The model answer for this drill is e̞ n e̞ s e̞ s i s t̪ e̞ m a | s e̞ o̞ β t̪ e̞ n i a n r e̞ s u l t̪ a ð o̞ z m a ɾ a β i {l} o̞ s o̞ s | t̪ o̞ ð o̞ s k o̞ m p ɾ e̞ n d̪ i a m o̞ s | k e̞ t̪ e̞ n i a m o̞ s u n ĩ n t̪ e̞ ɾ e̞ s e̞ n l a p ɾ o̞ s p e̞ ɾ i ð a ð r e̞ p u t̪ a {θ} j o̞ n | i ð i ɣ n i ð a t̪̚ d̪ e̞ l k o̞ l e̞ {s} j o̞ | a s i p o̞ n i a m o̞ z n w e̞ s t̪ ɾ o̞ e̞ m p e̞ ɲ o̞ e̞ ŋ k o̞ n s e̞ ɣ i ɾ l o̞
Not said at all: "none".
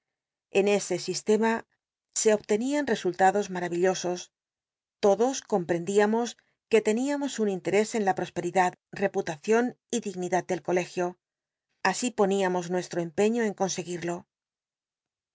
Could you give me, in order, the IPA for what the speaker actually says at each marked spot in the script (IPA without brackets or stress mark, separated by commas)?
ʎ, θ, x